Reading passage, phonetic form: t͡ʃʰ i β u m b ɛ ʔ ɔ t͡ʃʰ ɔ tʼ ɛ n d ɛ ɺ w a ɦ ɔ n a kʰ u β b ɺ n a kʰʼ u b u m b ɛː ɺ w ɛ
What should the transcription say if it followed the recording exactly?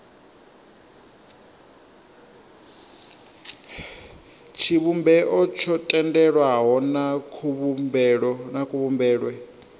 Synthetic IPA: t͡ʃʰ i β u m b ɛ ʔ ɔ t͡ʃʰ ɔ tʼ ɛ n d ɛ ɺ w a ɦ ɔ n a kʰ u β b ɺ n a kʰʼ u β u m b ɛː ɺ w ɛ